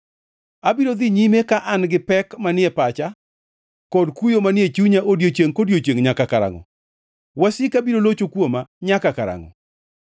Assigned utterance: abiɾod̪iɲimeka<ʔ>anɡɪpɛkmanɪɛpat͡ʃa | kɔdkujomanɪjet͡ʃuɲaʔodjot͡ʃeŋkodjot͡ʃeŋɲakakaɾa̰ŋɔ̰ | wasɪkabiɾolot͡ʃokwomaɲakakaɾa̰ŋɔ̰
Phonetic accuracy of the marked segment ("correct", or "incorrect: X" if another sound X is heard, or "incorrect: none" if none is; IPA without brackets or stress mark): correct